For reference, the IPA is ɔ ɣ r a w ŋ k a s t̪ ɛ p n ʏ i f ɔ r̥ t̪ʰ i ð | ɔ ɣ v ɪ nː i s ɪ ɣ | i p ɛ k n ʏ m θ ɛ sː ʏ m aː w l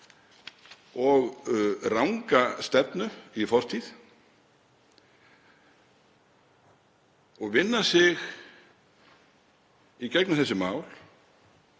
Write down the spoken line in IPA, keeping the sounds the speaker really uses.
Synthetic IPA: ɔ ɣ r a w ŋ k a s t̪ ɛ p n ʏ i f ɔ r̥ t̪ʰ i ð | ɔ ɣ v ɪ nː a s ɪ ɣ | i c ɛ k n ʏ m θ ɛ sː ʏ m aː w l